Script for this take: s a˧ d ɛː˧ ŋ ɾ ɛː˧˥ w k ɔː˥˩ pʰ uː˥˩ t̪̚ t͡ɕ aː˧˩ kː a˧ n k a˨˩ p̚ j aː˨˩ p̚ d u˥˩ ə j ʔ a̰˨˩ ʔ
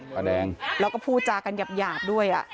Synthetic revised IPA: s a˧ d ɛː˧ ŋ ɾ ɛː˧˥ w k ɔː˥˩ pʰ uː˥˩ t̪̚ t͡ɕ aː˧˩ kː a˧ n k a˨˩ p̚ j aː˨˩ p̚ d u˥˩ ə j ʔ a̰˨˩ ʔ